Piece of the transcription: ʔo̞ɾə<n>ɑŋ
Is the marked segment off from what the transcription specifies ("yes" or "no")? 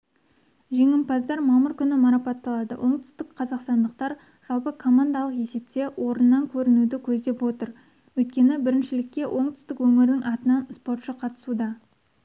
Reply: yes